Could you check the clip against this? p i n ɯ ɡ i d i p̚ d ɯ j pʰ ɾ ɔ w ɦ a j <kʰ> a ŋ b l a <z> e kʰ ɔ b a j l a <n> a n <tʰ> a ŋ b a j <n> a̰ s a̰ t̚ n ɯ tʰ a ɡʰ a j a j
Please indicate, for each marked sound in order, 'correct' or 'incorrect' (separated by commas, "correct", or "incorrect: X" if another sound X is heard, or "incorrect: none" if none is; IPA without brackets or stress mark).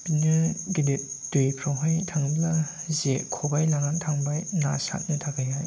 incorrect: tʰ, correct, incorrect: ŋ, correct, correct